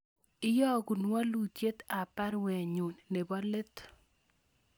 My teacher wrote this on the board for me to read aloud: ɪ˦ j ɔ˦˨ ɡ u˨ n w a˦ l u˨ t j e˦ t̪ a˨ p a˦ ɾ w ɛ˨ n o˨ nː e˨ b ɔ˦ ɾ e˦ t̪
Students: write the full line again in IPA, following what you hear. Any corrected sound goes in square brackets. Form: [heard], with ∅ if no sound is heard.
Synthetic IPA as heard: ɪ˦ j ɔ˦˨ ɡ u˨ n w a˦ l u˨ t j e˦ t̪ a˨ p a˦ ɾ w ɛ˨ [ɲ] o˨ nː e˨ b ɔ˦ [l] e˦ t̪